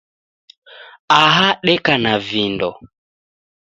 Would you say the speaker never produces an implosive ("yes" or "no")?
no